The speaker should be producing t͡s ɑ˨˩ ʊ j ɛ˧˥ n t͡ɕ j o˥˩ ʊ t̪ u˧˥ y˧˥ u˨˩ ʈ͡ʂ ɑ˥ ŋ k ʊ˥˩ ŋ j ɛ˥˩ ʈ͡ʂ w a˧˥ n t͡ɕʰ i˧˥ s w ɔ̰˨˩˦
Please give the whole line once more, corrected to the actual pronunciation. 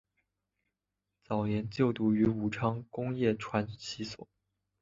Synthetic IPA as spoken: t͡s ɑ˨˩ ʊ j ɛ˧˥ n t͡ɕ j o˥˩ ʊ t̪ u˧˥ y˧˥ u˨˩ ʈ͡ʂʰ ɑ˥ ŋ k ʊ˥ ŋ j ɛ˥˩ ʈ͡ʂʰ w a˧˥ n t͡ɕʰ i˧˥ s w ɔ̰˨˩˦